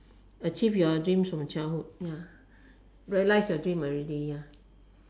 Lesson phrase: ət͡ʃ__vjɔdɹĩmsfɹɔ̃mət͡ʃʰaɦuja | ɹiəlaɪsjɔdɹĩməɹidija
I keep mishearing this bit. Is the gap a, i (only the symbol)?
i